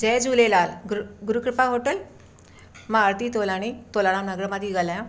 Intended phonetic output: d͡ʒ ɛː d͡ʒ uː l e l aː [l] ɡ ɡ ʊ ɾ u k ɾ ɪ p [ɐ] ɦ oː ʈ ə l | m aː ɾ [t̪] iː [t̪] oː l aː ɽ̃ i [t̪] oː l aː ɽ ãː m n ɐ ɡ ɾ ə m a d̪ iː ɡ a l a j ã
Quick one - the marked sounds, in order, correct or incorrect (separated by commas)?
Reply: correct, incorrect, correct, correct, correct